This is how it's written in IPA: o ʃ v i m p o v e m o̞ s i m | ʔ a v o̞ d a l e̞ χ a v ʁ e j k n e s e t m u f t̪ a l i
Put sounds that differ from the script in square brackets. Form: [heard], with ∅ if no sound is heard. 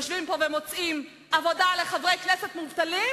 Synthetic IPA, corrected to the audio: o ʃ v i m p o v e m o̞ [t͡s] i m | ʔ a v o̞ d a l e̞ χ a v ʁ e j k n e s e t m u [v] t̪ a l i